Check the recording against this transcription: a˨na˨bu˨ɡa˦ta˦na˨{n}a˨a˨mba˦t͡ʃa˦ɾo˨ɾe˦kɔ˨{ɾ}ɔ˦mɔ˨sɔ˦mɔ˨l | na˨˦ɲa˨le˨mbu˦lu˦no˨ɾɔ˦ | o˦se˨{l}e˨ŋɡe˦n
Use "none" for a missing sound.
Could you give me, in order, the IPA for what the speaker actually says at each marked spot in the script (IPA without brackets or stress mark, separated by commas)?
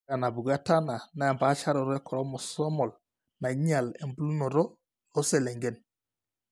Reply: n, ɾ, l